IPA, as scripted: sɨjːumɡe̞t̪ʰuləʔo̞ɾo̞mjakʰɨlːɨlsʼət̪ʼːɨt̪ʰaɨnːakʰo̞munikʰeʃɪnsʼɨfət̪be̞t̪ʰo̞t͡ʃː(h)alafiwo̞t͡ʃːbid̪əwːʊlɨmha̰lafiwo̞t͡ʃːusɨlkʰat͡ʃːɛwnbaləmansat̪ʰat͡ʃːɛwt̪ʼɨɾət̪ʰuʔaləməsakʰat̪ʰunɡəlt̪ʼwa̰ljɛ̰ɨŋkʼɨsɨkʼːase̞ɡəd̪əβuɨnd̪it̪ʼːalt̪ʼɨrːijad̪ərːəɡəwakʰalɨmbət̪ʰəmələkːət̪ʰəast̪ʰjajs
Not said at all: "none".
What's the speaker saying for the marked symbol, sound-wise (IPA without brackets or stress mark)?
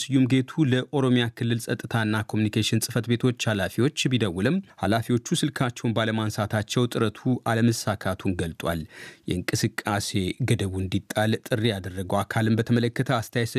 h